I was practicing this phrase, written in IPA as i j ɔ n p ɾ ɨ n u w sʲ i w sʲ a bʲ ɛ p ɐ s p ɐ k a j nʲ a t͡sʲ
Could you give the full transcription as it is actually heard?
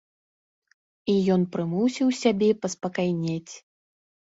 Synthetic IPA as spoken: i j ɔ n p ɾ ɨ m u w sʲ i w sʲ a bʲ ɛ p ɐ s p ɐ k a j nʲ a t͡sʲ